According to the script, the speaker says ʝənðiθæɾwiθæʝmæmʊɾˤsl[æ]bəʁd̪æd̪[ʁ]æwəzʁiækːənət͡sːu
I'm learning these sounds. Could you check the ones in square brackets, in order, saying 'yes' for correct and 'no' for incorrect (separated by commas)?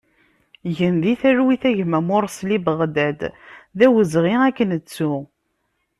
no, no